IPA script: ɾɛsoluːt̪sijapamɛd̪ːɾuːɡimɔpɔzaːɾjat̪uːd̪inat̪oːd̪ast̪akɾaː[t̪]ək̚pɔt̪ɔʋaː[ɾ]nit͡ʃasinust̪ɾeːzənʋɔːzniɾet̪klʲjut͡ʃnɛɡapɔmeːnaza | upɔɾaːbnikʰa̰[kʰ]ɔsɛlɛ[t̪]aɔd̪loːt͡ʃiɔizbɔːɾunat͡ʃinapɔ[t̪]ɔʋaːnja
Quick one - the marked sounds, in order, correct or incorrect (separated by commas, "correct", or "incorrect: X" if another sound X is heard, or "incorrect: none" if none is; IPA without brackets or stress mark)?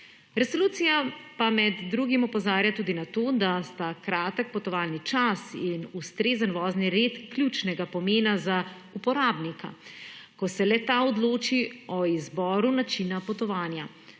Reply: correct, incorrect: l, incorrect: k, correct, correct